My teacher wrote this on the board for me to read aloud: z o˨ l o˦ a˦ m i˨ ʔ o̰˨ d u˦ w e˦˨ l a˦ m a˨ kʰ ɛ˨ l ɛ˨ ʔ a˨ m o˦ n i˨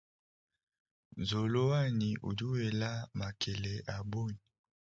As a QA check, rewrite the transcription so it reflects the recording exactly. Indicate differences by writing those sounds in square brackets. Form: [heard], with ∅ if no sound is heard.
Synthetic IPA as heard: z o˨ l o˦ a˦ [n] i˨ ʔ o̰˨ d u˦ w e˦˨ l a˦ m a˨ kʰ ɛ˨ l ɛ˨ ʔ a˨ [b] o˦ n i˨

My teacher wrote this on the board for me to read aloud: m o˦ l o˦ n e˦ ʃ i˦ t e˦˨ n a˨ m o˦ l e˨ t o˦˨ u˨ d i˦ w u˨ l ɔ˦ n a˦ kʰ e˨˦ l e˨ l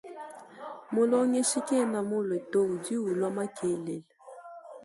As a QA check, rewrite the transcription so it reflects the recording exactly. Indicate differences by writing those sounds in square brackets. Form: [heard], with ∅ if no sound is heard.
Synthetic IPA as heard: m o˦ l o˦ [ŋ] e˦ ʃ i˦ [k] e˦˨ n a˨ m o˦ l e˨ t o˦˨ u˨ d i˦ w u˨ l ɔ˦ [m] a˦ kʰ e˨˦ l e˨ l

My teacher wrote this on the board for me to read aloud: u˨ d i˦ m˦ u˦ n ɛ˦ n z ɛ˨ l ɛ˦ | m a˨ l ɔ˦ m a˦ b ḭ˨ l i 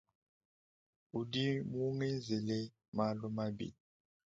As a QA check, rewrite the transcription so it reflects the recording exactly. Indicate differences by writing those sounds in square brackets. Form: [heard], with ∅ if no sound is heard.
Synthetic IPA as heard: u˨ d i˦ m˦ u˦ [ŋ] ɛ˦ n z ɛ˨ l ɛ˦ | m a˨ l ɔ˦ m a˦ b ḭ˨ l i

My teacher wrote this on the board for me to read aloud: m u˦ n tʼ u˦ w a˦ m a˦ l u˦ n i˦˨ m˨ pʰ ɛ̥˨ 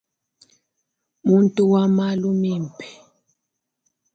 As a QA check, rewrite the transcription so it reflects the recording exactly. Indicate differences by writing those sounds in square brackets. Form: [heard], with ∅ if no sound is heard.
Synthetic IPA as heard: m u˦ n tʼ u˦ w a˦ m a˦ l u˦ [m] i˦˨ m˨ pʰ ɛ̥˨

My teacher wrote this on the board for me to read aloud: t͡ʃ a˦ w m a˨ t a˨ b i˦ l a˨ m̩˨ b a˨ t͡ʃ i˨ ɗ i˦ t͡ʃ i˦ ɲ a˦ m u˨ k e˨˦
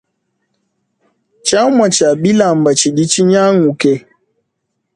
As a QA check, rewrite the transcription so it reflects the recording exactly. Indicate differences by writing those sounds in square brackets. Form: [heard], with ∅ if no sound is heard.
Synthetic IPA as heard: t͡ʃ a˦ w m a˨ [t͡ʃ] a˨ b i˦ l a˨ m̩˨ b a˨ t͡ʃ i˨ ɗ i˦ t͡ʃ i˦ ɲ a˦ [ŋ] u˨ k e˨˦

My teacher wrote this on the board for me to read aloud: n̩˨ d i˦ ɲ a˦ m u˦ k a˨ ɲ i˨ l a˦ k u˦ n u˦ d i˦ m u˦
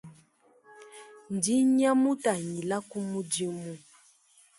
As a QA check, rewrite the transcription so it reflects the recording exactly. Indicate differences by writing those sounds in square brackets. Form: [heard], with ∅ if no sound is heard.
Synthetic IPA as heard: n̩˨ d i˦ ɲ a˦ m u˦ [t] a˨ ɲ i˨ l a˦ k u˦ [m] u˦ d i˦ m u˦

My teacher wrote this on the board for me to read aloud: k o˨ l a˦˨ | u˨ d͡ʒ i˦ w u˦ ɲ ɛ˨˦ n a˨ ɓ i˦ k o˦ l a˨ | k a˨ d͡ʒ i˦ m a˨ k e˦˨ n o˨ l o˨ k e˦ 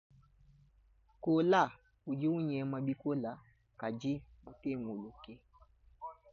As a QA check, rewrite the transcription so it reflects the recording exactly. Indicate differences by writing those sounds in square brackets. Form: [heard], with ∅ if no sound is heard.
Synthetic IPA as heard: k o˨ l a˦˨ | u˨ d͡ʒ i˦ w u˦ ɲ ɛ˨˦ [m] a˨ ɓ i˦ k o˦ l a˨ | k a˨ d͡ʒ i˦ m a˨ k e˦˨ [ŋ] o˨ l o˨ k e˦

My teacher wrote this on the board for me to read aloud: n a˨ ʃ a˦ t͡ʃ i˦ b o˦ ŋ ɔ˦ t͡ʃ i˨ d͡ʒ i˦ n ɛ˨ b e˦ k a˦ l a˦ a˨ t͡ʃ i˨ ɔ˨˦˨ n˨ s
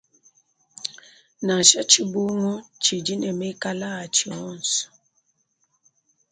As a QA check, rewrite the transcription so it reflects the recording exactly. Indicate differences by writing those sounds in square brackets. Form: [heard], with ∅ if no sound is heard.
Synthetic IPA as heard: n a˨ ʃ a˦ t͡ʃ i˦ b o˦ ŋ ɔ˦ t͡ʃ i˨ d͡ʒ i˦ n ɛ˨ [m] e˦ k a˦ l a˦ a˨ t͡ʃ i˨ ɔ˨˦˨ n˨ s

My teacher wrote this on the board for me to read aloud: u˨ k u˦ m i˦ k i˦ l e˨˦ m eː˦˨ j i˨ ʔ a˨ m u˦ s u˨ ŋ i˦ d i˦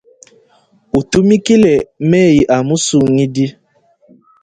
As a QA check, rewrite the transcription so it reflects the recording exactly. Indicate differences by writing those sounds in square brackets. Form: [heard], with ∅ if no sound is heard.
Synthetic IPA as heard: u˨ [t] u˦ m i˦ k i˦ l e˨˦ m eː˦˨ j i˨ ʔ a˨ m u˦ s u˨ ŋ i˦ d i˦

